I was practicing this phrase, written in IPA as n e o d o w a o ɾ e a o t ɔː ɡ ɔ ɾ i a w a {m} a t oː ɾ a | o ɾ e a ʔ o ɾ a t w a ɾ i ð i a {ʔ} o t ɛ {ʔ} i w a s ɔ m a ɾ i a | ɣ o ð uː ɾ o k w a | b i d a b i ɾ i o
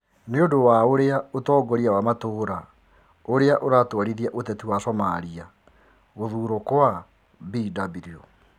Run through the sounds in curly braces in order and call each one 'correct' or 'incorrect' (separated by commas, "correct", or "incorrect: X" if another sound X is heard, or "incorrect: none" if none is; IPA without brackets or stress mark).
correct, correct, incorrect: t